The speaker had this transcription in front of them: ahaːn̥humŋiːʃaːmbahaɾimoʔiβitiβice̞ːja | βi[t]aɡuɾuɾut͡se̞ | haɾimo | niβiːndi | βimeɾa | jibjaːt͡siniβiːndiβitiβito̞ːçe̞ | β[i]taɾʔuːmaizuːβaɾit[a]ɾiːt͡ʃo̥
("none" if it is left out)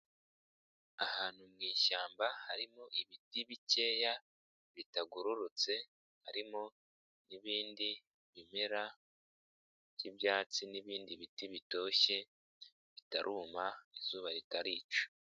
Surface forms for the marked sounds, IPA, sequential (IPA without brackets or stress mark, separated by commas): t, i, a